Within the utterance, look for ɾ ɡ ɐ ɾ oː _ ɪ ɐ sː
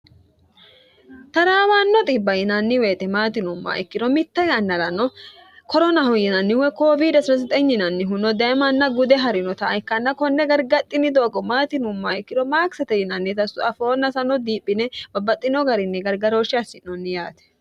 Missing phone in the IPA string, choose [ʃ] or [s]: ʃ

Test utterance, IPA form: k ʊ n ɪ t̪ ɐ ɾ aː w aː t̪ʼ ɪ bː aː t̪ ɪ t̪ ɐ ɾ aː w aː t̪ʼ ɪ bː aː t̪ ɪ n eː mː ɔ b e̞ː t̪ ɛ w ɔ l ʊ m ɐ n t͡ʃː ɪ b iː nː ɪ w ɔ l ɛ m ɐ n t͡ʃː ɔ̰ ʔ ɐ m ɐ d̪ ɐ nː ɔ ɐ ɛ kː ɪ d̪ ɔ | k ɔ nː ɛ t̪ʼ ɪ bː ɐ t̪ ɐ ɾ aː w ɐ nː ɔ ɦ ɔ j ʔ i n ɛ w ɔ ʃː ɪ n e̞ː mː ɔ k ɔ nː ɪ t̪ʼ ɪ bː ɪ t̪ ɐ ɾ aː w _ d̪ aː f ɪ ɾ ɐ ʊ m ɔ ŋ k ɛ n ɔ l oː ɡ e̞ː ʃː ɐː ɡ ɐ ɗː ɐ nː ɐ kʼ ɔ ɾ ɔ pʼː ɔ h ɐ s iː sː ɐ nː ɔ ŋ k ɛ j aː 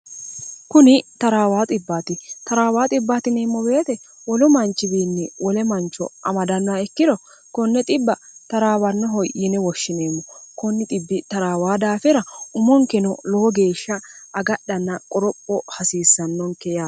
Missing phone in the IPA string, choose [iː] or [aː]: aː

